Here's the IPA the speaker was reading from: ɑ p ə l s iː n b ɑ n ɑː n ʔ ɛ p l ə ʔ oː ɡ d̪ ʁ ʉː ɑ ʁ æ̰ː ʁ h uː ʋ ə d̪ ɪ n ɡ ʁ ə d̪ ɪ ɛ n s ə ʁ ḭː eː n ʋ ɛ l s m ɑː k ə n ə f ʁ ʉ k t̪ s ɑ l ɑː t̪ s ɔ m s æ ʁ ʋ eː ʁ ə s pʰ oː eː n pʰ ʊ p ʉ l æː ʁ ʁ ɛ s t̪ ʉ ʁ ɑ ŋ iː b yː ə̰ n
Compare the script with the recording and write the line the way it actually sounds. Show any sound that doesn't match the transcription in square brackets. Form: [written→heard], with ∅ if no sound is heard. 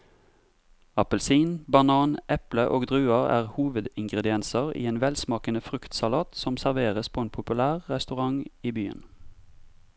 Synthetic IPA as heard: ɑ p ə l s iː n b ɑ n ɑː n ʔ ɛ p l ə ʔ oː ɡ d̪ ʁ ʉː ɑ ʁ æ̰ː ʁ h uː ʋ ə d̪ ɪ [n→ŋ] ɡ ʁ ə d̪ ɪ ɛ n s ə ʁ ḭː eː n ʋ ɛ l s m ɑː k ə n ə f ʁ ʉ k t̪ s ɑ l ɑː t̪ s ɔ m s æ ʁ ʋ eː ʁ ə s pʰ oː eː n pʰ ʊ p ʉ l æː ʁ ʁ ɛ s t̪ ʉ ʁ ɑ ŋ iː b yː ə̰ n